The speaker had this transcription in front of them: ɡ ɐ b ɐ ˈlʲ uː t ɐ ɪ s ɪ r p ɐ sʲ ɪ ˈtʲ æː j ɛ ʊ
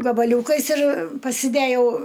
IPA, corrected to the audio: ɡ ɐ b ɐ ˈlʲ uː k ɐ ɪ s ɪ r p ɐ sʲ ɪ ˈdʲ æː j ɛ ʊ